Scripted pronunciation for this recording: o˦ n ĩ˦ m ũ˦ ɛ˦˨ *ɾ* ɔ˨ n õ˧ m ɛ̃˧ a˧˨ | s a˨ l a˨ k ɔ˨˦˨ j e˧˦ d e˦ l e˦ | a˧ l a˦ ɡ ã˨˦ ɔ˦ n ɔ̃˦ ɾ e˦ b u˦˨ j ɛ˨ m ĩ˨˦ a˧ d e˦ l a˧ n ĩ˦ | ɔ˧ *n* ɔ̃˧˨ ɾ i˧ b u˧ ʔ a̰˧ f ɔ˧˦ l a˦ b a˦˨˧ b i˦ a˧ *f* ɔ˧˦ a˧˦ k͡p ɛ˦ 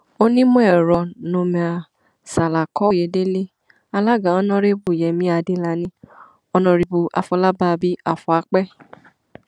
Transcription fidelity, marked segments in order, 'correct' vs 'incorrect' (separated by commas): correct, correct, correct